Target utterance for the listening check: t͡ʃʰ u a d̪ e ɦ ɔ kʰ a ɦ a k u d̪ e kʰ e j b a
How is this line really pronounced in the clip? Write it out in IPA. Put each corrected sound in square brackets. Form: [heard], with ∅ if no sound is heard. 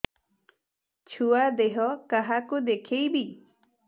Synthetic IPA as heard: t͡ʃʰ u a d̪ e ɦ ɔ [k] a ɦ a k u d̪ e kʰ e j b [i]